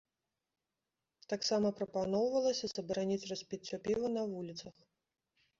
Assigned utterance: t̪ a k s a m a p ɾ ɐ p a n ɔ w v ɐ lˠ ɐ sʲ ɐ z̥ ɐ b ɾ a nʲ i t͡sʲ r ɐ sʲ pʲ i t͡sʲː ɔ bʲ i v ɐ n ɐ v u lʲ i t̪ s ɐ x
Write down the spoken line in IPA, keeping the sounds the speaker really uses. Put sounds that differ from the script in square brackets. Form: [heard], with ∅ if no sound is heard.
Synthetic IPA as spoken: t̪ a k s a m [ɐ] p ɾ ɐ p a n ɔ w v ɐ lˠ ɐ sʲ ɐ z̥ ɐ b ɾ a nʲ i t͡sʲ r ɐ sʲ pʲ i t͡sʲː ɔ [pʲ] i v ɐ n ɐ v u lʲ i t̪ s ɐ x